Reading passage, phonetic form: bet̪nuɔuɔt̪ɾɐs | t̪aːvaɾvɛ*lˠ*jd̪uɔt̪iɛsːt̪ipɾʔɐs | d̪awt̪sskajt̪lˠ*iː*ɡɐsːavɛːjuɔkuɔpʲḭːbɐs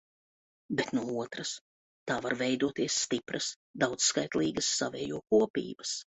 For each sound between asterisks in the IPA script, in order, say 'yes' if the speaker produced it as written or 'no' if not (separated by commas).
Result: no, yes